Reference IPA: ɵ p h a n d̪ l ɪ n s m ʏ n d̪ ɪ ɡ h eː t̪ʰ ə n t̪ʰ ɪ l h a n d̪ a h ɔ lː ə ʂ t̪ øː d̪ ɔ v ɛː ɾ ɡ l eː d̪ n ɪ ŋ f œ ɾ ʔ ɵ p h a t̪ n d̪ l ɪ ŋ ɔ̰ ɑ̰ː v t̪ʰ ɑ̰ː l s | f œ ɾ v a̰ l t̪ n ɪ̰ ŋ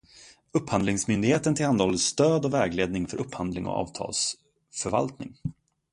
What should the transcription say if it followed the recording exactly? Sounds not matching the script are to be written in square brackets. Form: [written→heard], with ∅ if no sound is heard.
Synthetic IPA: ɵ p h a n d̪ l ɪ [n→ŋ] s m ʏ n d̪ ɪ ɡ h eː [t̪ʰ→t̪] ə n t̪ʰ ɪ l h a n d̪ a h ɔ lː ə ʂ t̪ øː d̪ ɔ v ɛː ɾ ɡ l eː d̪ n ɪ ŋ f œ ɾ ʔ ɵ p h a [t̪→∅] n d̪ l ɪ ŋ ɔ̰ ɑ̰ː v t̪ʰ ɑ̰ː l s | f œ ɾ v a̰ l t̪ n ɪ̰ ŋ

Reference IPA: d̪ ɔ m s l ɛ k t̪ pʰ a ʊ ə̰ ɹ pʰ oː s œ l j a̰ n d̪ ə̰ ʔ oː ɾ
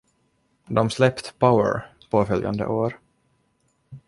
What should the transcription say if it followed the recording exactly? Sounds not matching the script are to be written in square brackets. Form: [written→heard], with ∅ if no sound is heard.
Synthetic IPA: d̪ ɔ m s l ɛ [k→p] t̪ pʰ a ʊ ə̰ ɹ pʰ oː [s→f] œ l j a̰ n d̪ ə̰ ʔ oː ɾ

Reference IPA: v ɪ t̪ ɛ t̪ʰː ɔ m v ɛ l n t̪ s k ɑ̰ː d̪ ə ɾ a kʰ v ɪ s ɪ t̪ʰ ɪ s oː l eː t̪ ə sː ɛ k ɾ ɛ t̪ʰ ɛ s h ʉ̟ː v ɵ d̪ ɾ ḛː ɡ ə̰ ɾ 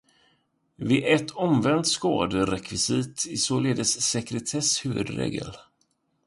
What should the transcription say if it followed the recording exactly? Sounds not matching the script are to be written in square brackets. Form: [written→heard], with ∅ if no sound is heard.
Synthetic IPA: v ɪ [t̪→∅] ɛ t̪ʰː ɔ m v ɛ [l→∅] n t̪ s k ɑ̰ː d̪ ə ɾ [a→ɛ] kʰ v ɪ s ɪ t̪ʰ ɪ s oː l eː [t̪→d̪] ə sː ɛ k ɾ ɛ t̪ʰ ɛ s h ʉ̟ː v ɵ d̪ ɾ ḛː ɡ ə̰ [ɾ→l]

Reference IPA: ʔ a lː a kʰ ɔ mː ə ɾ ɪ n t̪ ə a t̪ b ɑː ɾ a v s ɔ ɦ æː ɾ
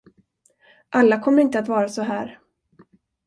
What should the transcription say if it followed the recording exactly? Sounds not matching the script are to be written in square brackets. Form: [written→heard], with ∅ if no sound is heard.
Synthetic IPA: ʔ a lː a kʰ ɔ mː ə ɾ ɪ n t̪ ə a t̪ [b→v] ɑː ɾ a [v→∅] s ɔ ɦ æː ɾ

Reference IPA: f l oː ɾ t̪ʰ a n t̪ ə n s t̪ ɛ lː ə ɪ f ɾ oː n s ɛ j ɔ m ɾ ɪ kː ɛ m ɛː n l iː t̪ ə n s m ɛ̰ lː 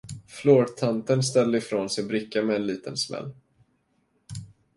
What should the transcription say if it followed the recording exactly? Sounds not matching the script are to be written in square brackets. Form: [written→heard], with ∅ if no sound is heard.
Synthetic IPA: f l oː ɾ t̪ʰ a n t̪ ə n s t̪ ɛ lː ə ɪ f ɾ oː n s ɛ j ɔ [m→b] ɾ ɪ kː [ɛ→a] m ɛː n l iː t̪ ə n s m ɛ̰ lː

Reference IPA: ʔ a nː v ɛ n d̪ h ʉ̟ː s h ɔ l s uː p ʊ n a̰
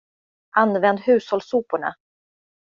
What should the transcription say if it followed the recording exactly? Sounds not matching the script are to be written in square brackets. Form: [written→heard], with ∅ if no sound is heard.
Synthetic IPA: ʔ a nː v ɛ n d̪ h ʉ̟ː s h ɔ l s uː p ʊ [n→ɳ] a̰

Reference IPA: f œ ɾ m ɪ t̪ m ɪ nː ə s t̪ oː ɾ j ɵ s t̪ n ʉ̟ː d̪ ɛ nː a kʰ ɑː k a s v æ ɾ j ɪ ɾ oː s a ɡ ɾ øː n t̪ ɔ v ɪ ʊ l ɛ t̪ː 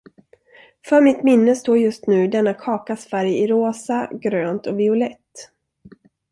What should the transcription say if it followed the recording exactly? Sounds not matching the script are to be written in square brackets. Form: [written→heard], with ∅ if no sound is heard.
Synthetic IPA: f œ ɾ m ɪ t̪ m ɪ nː ə s t̪ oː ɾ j ɵ s t̪ n ʉ̟ː d̪ ɛ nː a kʰ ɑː k a s [v→f] æ ɾ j ɪ ɾ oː s a ɡ ɾ øː n t̪ ɔ v ɪ ʊ l ɛ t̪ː

